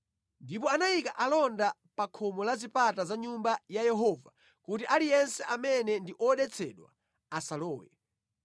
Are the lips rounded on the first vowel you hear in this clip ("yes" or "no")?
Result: no